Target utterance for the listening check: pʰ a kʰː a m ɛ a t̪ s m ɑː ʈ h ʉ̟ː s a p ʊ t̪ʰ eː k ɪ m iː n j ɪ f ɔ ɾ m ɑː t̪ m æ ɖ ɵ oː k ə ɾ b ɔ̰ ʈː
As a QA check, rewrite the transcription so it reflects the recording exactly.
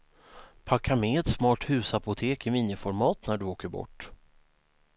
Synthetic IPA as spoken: pʰ a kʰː a m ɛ ɛ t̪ s m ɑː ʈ h ʉ̟ː s a p ʊ t̪ʰ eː k ɪ m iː n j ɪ f ɔ ɾ m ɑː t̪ n æ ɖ ɵ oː k ə ɾ b ɔ̰ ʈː

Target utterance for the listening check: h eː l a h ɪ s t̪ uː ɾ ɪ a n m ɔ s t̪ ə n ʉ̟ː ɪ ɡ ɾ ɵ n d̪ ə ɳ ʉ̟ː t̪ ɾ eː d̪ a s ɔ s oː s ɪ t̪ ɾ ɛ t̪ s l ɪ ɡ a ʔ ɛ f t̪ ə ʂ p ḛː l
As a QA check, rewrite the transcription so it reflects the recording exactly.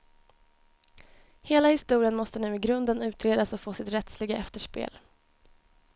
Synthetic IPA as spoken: h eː l a h ɪ s t̪ uː ɾ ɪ ə n m ɔ s t̪ ə n ʉ̟ː ɪ ɡ ɾ ɵ n d̪ ə n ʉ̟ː t̪ ɾ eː d̪ a s ɔ f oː s ɪ t̪ ɾ ɛ t̪ s l ɪ ɡ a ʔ ɛ f t̪ ə ʂ p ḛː l

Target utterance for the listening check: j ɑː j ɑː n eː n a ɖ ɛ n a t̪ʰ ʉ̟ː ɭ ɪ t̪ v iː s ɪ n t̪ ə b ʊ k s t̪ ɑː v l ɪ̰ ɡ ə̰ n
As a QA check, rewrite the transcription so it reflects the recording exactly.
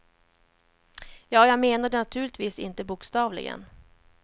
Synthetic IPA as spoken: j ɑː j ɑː m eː n a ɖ ɛ n a t̪ʰ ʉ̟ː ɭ ɪ t̪ v iː s ɪ n t̪ ə b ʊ k s t̪ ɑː v l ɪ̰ ɡ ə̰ n

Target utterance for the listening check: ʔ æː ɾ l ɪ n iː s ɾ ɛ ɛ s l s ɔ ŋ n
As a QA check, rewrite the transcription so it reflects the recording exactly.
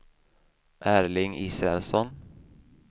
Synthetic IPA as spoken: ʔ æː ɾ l ɪ ŋ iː s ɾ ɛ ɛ l s ɔ n

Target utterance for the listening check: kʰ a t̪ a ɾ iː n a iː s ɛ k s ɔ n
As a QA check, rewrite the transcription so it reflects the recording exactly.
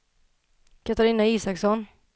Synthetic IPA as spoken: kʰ a t̪ a ɾ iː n a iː s a k s ɔ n

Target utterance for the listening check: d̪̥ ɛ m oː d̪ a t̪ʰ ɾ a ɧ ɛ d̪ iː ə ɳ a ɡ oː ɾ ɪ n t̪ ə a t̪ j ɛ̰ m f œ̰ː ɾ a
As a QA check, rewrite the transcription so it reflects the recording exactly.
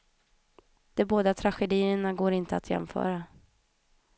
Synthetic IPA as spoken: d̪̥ ɛ b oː d̪ a t̪ʰ ɾ a ɧ ɛ d̪ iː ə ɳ a ɡ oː ɾ ɪ n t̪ ə a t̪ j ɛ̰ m f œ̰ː ɾ a

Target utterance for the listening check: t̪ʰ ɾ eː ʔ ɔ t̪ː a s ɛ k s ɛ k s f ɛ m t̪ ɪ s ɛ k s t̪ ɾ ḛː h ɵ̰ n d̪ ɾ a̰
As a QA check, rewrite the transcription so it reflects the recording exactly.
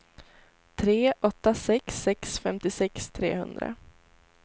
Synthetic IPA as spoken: t̪ʰ ɾ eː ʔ ɔ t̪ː a s ɛ k s ɛ k s f ɛ m t̪ ɪ s ɛ k s t̪ʰ ɾ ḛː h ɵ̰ n d̪ ɾ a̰

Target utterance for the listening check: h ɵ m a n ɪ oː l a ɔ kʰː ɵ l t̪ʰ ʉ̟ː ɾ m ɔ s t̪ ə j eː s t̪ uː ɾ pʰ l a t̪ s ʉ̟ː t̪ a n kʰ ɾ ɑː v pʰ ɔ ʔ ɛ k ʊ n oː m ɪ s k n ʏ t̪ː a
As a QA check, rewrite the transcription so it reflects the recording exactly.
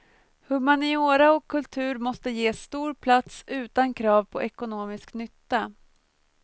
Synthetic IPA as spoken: h ɵ m a n ɪ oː ɾ a ɔ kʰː ɵ l t̪ʰ ʉ̟ː ɾ m ɔ s t̪ ə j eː s t̪ uː ɾ pʰ l a t̪ s ʉ̟ː t̪ a n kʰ ɾ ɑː v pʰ ɔ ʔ ɛ k ʊ n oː m ɪ s k n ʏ t̪ː a

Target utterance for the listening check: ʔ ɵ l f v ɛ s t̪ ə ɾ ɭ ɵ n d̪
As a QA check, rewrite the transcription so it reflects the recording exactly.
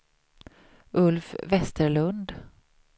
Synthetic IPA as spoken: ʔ ɵ l f v ɛ s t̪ ə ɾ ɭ ɵ n d̪

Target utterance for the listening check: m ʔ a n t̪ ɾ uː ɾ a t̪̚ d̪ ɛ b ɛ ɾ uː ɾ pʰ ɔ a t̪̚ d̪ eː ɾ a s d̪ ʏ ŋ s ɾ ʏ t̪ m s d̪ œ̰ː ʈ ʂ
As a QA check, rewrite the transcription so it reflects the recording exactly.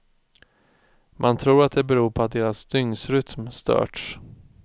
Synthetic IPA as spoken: m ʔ a n t̪ʰ ɾ uː ɾ a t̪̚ d̪ ɛ b ɛ ɾ uː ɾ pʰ ɔ a t̪̚ d̪ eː ɾ a s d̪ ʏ ŋ s ɾ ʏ t̪ m s t̪ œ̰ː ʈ ʂ

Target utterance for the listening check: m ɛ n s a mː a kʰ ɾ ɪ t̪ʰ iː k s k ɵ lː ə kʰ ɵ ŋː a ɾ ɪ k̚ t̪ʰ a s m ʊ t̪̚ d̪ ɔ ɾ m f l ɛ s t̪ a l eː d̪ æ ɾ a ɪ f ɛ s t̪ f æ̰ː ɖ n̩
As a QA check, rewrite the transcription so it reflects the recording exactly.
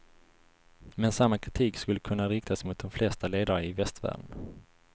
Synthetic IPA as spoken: m ɛ n s a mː a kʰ ɾ ɪ t̪ʰ iː k s k ɵ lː ə kʰ ɵ nː a ɾ ɪ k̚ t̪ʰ a s m ʊ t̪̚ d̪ ɔ m f l ɛ s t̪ a l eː d̪ a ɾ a ɪ v ɛ s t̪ v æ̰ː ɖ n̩

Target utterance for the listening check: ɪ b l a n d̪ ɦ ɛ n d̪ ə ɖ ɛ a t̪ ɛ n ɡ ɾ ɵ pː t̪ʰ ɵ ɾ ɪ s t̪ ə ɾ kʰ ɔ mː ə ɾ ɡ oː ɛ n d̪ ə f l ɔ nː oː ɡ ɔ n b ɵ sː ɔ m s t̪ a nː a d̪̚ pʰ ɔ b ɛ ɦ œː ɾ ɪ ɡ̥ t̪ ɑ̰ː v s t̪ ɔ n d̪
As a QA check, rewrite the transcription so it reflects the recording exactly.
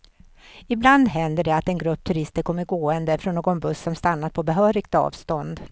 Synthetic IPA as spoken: ɪ b l a n d̪ ɦ ɛ n d̪ ə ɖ ɛ a t̪ ɛ n ɡ ɾ ɵ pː t̪ʰ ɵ ɾ ɪ s t̪ ə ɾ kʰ ɔ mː ə ɾ ɡ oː ɛ n d̪ ə f ɾ ɔ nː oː ɡ ɔ n b ɵ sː ɔ m s t̪ a nː a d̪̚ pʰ ɔ b ɛ ɦ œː ɾ ɪ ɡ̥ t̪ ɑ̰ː v s t̪ ɔ n d̪

